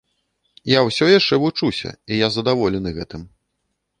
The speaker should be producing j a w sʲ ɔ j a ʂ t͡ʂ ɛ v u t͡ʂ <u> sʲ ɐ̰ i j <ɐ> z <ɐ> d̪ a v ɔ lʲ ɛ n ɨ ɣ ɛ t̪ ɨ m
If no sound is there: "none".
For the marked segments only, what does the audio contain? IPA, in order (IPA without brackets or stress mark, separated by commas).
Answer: u, a, ɐ